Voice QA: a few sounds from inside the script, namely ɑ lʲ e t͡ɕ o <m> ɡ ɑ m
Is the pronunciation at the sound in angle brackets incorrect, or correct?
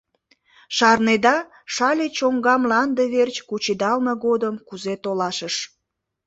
incorrect